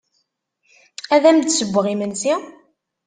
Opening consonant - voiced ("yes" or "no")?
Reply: yes